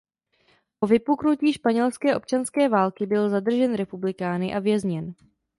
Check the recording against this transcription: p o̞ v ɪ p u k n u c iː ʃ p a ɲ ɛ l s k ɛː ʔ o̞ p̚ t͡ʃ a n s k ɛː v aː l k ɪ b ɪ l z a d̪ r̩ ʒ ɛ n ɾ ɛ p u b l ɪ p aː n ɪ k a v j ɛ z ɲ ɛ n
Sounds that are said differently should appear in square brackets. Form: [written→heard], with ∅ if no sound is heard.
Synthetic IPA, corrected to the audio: p o̞ v ɪ p u k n u c iː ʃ p a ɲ ɛ l s k ɛː ʔ o̞ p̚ t͡ʃ a n s k ɛː v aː l k ɪ b ɪ l z a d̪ r̩ ʒ ɛ n ɾ ɛ p u b l ɪ [p→k] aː n ɪ [k→ʔ] a v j ɛ z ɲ ɛ n